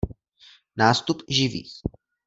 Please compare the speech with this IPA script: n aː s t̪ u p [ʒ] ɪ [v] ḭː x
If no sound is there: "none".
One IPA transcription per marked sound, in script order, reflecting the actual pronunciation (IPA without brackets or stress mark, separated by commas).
ʒ, v